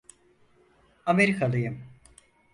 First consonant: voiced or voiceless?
voiced